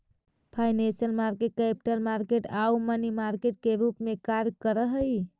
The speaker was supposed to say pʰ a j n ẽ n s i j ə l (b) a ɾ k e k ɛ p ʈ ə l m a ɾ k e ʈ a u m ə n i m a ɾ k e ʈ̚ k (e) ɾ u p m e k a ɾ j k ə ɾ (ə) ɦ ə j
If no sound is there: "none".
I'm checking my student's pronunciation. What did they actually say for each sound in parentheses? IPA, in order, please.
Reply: m, e, ə

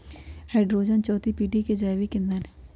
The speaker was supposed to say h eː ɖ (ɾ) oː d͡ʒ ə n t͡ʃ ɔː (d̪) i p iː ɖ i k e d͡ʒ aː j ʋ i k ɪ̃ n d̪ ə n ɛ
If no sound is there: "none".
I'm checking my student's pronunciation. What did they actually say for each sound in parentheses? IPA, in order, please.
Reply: ɾ, t̪

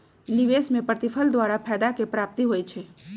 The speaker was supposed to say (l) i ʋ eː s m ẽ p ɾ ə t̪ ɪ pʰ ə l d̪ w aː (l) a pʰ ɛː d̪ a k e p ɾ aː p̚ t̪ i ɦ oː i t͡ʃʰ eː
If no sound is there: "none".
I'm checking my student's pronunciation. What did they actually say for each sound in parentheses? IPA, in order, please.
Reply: l, ɾ

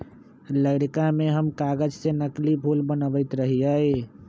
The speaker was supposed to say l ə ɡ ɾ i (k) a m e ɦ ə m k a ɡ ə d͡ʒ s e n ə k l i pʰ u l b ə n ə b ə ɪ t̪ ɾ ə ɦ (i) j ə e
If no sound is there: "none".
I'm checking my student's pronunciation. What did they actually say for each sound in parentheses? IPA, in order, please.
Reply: k, i

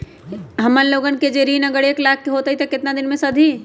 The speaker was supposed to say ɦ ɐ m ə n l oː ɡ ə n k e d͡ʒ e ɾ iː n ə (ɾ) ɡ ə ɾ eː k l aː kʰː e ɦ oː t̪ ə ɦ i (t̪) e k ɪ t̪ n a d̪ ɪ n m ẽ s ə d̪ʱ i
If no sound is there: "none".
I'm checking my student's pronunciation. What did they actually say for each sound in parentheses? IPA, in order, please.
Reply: none, t̪

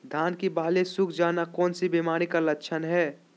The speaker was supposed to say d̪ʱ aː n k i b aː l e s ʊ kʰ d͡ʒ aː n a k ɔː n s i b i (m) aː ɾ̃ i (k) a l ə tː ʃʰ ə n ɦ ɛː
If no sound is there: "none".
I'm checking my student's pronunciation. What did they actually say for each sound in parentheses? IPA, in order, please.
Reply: m, k

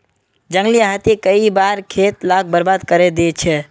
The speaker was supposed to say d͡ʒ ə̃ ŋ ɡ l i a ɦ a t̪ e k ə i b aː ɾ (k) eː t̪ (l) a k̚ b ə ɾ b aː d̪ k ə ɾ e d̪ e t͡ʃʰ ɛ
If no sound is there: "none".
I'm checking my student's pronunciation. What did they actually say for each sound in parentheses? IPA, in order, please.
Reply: kʰ, l

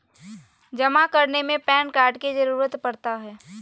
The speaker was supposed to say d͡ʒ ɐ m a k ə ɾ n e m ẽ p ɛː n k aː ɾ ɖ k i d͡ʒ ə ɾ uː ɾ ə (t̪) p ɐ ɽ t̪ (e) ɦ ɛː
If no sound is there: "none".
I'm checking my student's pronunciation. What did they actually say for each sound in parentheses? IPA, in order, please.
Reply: t̪, a

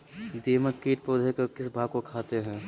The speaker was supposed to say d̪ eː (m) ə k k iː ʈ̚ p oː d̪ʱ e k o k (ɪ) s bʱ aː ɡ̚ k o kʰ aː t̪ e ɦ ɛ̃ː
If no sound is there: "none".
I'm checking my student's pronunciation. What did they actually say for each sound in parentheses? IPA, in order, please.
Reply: m, ɪ

